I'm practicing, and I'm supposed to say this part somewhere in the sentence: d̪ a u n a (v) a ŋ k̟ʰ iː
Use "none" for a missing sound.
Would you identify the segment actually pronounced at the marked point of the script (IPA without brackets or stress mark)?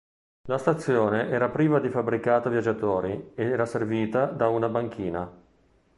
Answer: b